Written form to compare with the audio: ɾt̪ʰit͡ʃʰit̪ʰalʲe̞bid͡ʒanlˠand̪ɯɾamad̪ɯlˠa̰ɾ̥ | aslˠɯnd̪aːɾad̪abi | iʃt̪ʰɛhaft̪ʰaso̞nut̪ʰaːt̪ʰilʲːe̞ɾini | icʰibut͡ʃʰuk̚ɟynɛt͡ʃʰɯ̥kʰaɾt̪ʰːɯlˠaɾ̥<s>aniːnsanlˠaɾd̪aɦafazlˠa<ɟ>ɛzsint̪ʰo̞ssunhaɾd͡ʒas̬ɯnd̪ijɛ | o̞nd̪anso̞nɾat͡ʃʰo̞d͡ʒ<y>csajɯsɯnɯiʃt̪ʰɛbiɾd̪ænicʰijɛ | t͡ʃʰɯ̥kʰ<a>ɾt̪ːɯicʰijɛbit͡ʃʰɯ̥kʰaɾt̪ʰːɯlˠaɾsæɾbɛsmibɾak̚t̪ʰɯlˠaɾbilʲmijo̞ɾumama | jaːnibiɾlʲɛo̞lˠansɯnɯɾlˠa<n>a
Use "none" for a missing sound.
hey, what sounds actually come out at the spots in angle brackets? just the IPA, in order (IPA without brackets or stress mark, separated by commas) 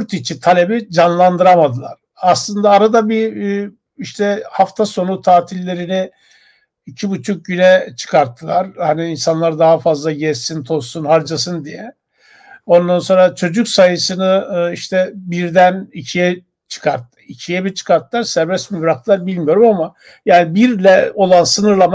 h, ɟ, y, a, m